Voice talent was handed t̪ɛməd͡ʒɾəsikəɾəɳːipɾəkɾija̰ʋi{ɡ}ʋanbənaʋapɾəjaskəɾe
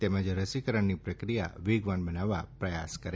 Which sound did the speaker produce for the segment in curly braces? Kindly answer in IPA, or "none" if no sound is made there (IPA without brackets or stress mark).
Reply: ɡ